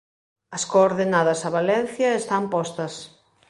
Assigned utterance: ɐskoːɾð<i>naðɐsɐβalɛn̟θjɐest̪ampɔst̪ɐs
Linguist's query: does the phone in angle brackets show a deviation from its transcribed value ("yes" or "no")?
yes